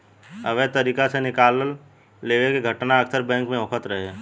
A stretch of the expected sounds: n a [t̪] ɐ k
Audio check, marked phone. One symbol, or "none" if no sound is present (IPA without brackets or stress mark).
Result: none